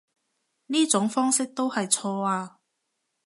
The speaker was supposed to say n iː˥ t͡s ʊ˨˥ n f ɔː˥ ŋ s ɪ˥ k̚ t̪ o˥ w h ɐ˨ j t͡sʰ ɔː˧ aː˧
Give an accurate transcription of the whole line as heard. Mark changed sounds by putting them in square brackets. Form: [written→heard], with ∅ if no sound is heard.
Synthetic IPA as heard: n iː˥ t͡s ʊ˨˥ [n→ŋ] f ɔː˥ ŋ s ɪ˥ k̚ t̪ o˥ w h ɐ˨ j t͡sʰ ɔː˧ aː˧

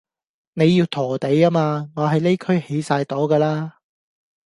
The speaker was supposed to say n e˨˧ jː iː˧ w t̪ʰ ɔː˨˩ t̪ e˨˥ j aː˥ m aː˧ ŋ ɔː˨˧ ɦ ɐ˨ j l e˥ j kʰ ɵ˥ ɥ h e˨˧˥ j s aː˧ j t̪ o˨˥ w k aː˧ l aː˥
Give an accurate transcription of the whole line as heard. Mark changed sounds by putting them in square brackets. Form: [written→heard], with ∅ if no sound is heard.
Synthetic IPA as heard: n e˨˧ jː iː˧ w t̪ʰ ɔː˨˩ t̪ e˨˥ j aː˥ m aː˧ ŋ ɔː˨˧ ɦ ɐ˨ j l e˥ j kʰ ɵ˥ ɥ h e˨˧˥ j s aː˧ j t̪ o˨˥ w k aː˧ l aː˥

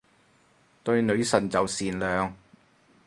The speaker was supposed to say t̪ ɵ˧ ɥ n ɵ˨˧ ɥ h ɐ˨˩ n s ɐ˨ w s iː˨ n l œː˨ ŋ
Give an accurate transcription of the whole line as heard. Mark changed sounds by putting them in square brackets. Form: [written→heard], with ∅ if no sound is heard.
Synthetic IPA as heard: t̪ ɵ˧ ɥ n ɵ˨˧ ɥ [h→s] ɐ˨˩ n [s→t͡s] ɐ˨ w s iː˨ n l œː˨ ŋ

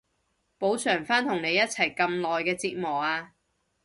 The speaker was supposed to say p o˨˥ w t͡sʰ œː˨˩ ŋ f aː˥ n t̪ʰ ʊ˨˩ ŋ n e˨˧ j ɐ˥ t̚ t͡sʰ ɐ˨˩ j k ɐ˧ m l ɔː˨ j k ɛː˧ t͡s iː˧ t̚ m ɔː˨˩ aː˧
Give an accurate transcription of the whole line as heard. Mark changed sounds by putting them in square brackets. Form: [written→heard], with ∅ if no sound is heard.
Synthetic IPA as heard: p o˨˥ w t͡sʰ œː˨˩ ŋ f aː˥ n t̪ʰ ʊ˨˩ ŋ n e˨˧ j ɐ˥ t̚ t͡sʰ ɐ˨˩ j k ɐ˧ m l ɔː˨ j k ɛː˧ t͡s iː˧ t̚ m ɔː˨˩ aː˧

